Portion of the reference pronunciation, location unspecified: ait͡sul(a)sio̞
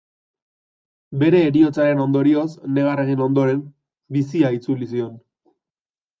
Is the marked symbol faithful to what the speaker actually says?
no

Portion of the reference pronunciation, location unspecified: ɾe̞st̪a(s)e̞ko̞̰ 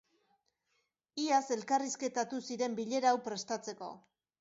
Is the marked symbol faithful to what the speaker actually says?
no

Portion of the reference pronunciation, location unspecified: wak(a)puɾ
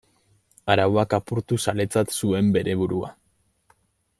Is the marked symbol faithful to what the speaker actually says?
yes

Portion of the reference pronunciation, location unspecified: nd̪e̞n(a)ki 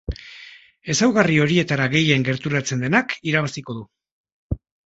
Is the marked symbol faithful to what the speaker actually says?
yes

